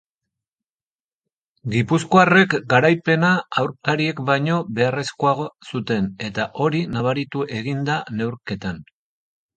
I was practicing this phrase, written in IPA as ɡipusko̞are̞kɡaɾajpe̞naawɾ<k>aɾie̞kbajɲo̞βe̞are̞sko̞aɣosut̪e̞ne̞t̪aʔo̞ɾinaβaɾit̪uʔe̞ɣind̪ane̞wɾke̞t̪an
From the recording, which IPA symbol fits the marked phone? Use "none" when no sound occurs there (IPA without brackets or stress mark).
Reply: k